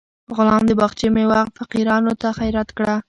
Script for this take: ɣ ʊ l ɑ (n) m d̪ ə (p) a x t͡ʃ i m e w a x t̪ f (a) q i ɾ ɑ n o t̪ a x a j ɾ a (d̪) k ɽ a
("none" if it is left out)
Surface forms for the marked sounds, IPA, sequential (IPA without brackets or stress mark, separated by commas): none, b, a, t̪